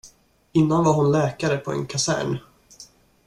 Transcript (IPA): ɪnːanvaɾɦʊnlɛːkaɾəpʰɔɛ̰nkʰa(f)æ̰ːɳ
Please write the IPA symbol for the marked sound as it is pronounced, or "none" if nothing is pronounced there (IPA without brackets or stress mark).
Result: s